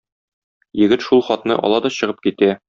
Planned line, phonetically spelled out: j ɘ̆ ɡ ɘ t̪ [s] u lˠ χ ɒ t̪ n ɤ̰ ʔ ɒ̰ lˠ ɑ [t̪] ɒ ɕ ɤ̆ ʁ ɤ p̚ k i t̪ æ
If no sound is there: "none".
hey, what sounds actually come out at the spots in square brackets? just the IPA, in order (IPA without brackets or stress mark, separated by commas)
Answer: ʃ, d̪